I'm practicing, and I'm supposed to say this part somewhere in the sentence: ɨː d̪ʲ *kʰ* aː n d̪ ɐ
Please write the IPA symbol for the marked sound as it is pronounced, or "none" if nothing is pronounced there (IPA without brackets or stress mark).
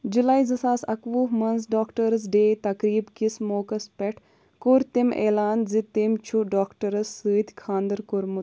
kʰ